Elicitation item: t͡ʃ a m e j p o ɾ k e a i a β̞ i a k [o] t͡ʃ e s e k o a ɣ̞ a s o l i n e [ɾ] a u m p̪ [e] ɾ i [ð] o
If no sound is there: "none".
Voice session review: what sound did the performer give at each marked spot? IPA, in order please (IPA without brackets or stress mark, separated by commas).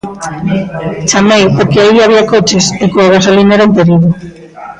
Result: o, ɾ, e, ð